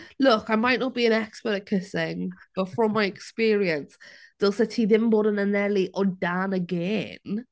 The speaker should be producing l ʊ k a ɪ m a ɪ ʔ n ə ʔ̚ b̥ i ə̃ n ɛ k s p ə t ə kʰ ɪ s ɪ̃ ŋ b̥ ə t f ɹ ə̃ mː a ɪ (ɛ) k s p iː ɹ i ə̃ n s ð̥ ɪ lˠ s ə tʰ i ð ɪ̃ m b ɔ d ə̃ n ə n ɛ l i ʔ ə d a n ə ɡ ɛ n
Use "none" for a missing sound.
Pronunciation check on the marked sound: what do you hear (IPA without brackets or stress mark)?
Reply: ɛ